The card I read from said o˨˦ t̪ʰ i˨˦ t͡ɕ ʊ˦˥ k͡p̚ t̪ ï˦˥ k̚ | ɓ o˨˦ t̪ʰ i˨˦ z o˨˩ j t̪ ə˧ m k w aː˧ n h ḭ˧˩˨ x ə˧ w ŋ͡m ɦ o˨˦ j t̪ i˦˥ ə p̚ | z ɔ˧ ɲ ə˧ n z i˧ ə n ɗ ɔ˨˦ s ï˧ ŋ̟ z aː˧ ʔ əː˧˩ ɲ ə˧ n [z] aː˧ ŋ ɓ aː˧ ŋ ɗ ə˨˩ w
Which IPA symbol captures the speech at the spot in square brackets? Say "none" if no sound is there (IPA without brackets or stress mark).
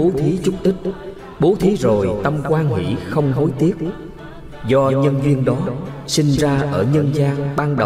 z